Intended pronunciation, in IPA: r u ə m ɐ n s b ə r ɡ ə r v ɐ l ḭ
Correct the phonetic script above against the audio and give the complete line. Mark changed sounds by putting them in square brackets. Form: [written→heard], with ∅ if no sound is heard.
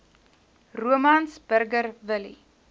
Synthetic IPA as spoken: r u ə m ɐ n s b ə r ɡ ə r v [ɐ→ə] l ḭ